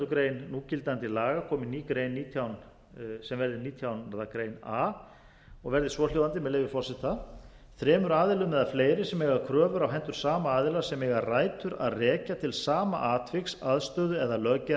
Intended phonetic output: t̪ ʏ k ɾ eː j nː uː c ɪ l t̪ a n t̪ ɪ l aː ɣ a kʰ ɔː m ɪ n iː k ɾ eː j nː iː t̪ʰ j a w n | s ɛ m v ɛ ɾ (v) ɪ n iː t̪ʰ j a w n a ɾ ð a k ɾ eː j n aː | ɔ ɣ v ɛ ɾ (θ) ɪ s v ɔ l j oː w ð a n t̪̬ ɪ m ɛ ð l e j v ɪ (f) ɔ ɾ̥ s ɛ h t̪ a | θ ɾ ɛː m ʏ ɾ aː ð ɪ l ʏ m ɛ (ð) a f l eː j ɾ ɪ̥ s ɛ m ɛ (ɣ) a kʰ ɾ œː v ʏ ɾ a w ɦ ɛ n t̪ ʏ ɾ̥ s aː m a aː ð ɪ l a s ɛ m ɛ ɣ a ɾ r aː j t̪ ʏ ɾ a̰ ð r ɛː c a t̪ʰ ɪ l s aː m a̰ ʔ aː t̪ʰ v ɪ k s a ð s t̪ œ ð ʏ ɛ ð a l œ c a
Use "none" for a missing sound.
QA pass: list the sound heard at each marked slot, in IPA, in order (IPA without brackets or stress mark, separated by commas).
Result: ð, ð, f, ð, ɣ